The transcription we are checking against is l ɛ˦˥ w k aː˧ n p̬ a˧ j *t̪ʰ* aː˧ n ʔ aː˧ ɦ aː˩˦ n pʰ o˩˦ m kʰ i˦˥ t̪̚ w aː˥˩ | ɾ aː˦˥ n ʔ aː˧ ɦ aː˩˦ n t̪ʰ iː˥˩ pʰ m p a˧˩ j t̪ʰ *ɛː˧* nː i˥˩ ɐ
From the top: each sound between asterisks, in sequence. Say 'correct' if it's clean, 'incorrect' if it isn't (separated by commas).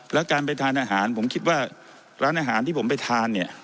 correct, incorrect